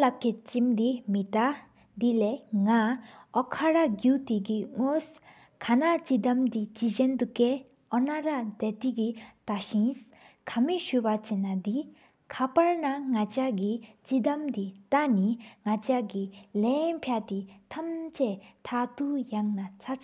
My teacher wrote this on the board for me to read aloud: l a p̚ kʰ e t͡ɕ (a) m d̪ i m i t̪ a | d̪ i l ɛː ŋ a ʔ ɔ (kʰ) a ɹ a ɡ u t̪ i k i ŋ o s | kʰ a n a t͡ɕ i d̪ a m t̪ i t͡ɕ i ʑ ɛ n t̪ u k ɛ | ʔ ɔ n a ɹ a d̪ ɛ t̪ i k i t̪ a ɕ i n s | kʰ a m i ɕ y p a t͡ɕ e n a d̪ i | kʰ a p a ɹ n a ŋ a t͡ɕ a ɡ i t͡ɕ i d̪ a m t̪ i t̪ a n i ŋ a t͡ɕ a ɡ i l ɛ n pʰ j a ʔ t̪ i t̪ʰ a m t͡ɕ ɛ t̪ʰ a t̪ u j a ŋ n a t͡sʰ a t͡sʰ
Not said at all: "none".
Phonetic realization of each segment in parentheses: i, kʰ

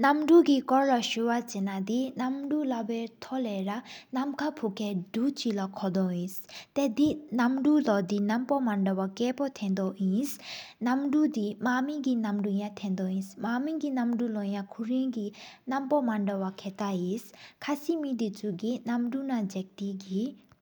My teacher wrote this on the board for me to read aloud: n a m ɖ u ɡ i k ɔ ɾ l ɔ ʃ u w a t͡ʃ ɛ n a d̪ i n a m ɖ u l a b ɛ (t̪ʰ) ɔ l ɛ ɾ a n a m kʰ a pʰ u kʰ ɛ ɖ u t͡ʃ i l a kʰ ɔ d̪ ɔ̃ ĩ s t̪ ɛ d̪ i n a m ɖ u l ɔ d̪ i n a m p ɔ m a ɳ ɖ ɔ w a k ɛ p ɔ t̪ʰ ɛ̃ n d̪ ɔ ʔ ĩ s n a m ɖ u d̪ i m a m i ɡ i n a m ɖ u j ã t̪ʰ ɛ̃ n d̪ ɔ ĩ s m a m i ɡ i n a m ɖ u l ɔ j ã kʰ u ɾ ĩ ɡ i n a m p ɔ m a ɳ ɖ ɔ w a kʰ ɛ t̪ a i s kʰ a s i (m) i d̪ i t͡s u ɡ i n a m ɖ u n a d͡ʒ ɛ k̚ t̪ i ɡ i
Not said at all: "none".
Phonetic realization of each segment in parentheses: t̪ʰ, m

